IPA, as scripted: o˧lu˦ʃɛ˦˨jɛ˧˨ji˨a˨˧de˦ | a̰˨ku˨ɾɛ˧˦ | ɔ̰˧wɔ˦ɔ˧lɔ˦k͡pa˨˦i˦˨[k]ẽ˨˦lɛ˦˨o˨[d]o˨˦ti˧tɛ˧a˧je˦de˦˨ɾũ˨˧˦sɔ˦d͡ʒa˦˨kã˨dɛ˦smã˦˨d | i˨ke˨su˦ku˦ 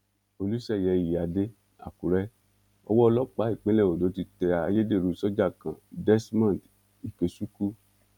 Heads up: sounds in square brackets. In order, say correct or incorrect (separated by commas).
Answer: incorrect, correct